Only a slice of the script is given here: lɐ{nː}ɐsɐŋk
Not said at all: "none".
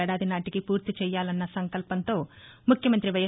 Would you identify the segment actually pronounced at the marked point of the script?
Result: nː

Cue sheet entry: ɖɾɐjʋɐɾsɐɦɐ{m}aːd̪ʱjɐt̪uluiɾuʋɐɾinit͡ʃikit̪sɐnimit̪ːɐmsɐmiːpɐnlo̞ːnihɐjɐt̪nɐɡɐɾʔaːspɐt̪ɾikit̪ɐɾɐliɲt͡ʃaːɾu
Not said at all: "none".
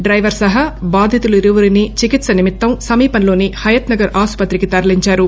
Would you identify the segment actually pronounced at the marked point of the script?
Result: b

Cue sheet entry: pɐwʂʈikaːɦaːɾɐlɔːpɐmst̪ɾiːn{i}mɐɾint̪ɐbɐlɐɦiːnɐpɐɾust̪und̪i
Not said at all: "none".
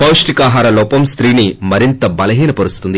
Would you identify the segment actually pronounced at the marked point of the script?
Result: i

